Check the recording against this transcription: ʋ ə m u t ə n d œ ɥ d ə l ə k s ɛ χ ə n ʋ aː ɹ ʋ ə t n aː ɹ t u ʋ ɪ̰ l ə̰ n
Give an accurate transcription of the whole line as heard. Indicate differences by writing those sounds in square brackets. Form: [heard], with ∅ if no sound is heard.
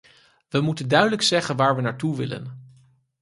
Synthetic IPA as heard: ʋ ə m u t ə n d œ ɥ d ə l ə k s ɛ χ ə n ʋ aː ɹ ʋ ə [∅] n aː ɹ t u ʋ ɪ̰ l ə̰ n